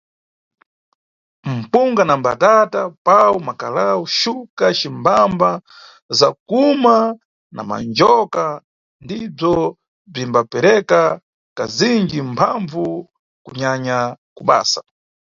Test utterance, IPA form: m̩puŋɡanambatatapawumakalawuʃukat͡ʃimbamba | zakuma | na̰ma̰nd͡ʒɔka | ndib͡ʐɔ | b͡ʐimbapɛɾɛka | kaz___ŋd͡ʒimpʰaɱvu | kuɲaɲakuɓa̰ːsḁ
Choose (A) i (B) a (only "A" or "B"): A